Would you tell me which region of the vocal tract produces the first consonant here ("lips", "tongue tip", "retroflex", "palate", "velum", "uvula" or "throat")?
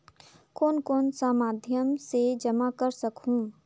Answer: velum